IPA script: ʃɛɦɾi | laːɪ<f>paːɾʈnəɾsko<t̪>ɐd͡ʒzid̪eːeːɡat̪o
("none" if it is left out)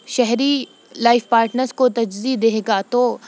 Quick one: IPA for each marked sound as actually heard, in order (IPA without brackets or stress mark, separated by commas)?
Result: f, t̪